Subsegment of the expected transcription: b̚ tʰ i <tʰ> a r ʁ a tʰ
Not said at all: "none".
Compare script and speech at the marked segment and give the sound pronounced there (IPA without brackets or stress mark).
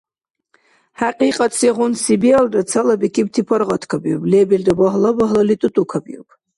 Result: pʰ